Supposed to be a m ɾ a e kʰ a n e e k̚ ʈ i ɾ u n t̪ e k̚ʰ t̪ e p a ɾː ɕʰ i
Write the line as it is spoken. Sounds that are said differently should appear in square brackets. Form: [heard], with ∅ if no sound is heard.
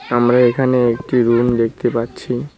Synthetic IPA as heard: a m ɾ a e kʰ a n e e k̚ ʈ i ɾ u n [d̪] e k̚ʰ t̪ e p a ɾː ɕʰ i